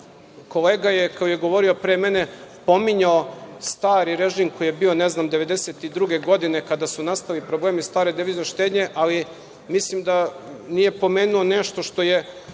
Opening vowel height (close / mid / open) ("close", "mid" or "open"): mid